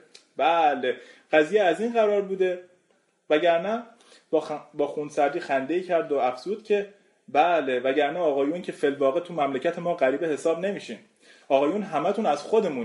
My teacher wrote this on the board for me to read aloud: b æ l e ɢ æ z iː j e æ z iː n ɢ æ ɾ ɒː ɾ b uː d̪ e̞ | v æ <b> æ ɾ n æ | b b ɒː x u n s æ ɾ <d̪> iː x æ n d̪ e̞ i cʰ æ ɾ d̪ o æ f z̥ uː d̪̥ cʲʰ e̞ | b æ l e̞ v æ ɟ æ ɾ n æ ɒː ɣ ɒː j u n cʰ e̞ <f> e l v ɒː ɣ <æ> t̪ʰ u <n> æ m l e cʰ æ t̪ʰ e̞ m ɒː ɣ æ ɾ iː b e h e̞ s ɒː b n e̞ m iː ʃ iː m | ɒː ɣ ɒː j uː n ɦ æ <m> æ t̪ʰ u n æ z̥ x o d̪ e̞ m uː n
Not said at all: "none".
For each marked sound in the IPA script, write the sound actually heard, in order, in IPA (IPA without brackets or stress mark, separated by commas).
ɟ, d̪, f, e, m, m